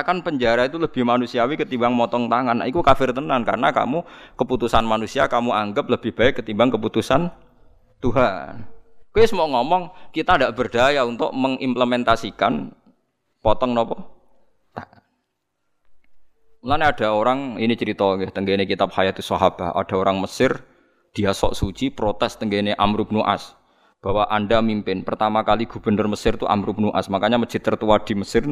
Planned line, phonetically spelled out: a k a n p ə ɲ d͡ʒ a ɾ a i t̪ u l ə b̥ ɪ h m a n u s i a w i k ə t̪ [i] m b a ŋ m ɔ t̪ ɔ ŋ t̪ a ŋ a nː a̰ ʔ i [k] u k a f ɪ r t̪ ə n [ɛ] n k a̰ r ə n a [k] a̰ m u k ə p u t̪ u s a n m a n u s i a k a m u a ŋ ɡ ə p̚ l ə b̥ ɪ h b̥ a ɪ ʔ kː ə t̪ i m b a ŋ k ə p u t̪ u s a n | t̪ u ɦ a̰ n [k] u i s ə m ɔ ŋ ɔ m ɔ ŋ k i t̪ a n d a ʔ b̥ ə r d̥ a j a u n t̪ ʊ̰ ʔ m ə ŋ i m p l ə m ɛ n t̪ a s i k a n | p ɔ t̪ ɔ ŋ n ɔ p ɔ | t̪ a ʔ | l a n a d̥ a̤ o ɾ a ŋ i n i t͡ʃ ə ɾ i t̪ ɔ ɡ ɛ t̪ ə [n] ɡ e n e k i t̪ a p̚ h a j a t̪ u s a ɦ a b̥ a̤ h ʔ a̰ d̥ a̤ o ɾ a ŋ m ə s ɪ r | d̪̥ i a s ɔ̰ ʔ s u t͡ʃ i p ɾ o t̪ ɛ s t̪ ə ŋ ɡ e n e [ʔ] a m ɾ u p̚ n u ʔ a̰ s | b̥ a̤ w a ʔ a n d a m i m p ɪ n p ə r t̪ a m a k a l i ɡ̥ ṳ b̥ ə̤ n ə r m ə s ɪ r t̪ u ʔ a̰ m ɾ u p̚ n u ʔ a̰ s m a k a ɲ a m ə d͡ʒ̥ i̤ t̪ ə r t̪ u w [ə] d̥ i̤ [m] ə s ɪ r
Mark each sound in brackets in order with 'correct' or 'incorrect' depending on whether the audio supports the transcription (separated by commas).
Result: correct, correct, incorrect, correct, correct, incorrect, correct, incorrect, correct